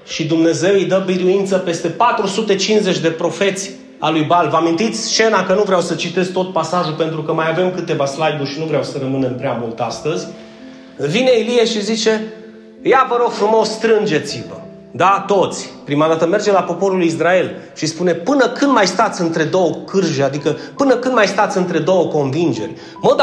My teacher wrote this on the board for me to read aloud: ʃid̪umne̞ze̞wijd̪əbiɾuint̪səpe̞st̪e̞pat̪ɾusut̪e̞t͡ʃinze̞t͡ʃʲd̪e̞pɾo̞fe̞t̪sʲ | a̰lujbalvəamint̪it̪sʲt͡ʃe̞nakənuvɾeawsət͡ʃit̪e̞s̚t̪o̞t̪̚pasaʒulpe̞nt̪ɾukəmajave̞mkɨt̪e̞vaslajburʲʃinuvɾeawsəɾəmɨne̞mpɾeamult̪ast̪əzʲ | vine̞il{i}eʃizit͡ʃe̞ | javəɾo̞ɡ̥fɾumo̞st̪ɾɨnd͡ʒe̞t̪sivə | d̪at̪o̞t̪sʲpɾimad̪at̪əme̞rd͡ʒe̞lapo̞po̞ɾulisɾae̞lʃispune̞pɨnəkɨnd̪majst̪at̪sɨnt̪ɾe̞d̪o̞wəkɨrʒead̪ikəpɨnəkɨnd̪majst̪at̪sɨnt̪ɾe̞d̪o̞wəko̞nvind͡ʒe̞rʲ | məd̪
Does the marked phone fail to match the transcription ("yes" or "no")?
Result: no